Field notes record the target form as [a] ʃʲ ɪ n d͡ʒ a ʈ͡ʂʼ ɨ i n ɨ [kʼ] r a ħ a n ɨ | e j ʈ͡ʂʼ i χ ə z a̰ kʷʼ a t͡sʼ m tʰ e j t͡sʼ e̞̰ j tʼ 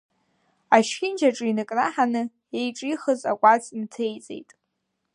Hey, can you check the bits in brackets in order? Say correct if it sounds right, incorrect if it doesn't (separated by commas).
correct, correct